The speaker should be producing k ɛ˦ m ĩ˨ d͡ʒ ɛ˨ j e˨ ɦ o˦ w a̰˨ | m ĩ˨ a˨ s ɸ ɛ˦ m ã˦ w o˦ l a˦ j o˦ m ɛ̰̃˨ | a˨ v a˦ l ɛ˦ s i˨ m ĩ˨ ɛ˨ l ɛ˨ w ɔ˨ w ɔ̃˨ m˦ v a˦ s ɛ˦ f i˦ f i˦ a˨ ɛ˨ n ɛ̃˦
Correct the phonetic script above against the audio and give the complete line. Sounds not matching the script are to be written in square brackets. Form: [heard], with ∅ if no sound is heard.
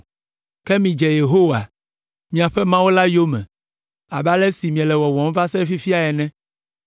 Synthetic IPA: k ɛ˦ m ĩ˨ d͡ʒ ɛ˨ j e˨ ɦ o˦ w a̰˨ | m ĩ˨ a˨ [∅] ɸ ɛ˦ m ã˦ w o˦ l a˦ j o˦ m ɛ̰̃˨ | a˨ [b] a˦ l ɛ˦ s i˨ m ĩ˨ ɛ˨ l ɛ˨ w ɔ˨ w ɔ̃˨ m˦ v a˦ s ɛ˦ f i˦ f i˦ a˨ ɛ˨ n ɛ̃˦